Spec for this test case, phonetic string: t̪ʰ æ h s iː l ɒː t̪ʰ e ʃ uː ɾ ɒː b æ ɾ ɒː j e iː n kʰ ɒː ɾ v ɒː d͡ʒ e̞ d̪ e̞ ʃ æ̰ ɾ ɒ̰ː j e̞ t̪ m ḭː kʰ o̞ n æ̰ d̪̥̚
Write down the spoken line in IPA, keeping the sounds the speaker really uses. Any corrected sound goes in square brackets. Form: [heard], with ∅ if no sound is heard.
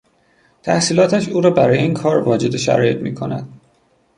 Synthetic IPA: t̪ʰ æ h s iː l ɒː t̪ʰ [æ] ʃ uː ɾ ɒː b æ ɾ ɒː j e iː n kʰ ɒː ɾ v ɒː d͡ʒ e̞ d̪ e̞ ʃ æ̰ ɾ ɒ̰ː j e̞ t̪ m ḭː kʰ o̞ n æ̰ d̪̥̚